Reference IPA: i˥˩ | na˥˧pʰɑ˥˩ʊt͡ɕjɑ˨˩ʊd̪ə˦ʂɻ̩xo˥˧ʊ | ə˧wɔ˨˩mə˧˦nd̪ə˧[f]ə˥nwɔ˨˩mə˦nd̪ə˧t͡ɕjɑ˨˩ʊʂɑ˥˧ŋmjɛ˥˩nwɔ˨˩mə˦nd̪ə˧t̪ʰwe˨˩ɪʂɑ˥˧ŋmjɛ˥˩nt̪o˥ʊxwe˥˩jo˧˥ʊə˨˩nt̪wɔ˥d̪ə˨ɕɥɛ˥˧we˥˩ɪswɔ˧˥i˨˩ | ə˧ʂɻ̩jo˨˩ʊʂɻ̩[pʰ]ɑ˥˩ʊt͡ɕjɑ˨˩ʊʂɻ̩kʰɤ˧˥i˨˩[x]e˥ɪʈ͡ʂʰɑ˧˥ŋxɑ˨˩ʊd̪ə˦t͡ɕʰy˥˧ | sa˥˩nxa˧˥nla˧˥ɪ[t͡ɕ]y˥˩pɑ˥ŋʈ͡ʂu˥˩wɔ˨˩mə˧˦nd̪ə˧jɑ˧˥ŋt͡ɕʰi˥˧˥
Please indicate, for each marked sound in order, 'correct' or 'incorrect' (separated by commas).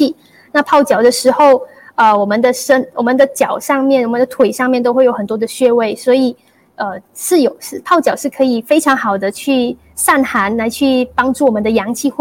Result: incorrect, correct, incorrect, incorrect